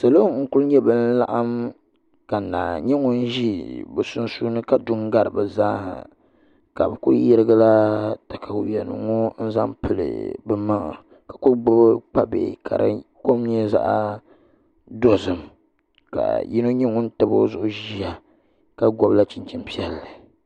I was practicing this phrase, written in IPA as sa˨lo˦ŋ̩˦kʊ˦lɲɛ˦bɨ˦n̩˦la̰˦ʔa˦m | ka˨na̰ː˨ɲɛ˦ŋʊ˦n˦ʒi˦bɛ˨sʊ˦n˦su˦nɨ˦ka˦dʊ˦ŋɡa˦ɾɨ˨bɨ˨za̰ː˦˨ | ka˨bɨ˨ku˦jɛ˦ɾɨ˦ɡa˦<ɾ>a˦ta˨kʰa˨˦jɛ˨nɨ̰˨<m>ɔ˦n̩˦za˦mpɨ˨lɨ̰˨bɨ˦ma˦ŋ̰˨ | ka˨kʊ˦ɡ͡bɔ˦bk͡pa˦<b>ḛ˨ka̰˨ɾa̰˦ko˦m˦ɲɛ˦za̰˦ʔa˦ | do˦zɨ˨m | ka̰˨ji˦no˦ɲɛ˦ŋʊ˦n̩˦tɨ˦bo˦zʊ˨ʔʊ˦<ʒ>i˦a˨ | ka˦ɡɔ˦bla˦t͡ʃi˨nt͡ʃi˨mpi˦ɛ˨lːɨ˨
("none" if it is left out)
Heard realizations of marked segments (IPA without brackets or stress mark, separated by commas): l, ŋ, b, ʒ